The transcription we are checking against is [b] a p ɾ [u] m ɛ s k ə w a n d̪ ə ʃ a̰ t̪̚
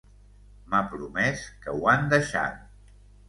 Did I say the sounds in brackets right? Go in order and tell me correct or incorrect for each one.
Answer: incorrect: m, correct

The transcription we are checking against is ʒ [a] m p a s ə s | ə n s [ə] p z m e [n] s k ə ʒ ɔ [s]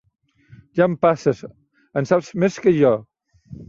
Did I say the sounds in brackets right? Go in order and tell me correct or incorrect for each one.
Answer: correct, incorrect: a, incorrect: none, incorrect: none

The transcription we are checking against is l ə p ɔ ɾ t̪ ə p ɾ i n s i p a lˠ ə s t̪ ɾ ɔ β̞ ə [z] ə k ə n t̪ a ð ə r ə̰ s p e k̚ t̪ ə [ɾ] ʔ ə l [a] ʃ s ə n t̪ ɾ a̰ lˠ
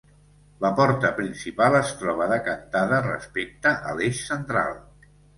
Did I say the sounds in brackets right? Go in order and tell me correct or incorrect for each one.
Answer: incorrect: ð, incorrect: none, incorrect: e

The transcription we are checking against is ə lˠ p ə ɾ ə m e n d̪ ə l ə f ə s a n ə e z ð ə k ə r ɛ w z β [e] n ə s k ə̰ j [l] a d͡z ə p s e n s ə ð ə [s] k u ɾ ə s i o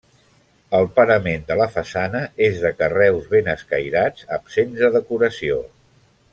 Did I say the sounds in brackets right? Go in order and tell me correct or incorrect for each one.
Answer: correct, incorrect: ɾ, incorrect: none

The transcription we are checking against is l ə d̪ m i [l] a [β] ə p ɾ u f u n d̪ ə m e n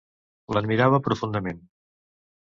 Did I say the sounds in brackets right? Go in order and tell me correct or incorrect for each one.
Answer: incorrect: ɾ, correct

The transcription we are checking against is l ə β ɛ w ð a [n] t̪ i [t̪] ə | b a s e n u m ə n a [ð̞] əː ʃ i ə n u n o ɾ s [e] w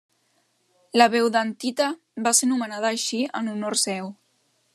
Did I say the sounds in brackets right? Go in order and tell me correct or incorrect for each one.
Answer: correct, correct, correct, incorrect: ɛ

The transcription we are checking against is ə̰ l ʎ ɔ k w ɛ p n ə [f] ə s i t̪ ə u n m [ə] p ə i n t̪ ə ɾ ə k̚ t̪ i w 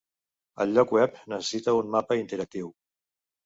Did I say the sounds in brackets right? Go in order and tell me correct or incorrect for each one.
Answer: incorrect: s, incorrect: a

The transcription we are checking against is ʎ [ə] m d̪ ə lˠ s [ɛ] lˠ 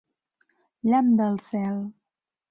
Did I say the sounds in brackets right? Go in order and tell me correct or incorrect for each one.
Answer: incorrect: a, correct

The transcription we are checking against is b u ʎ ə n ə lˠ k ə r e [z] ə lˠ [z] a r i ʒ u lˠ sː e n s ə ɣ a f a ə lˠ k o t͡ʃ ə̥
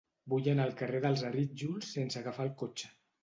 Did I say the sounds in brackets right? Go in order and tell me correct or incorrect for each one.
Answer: incorrect: ð, correct

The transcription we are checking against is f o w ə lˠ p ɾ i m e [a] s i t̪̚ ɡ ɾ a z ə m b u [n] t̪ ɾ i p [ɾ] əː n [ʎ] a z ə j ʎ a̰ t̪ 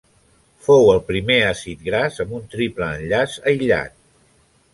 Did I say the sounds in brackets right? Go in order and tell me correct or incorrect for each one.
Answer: correct, correct, incorrect: l, correct

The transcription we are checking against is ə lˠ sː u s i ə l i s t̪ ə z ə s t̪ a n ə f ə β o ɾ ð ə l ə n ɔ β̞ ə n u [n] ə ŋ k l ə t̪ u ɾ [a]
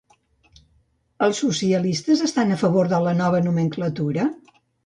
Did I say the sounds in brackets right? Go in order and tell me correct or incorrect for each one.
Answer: incorrect: m, incorrect: ə

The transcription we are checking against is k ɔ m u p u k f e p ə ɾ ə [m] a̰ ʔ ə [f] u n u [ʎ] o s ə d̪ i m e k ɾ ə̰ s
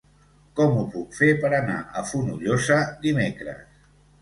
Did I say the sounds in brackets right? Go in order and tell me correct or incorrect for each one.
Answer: incorrect: n, correct, correct

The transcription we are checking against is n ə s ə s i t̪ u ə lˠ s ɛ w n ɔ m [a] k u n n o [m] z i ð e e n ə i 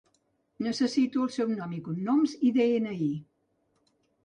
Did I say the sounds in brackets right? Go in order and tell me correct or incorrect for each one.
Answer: incorrect: i, correct

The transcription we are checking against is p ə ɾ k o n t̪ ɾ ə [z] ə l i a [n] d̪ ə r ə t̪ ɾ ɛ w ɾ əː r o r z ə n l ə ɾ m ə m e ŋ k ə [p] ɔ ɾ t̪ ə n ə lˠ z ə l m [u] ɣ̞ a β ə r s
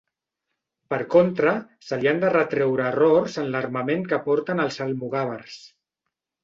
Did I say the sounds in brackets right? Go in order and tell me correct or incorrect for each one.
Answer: incorrect: s, correct, correct, correct

